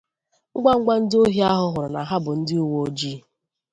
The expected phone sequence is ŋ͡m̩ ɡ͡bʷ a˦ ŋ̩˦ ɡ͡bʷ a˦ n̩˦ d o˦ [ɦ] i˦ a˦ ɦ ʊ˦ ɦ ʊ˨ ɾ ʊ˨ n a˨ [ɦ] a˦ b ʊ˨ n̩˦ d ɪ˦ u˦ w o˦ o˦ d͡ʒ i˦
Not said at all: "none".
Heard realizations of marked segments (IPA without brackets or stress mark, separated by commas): ɦ, ɦ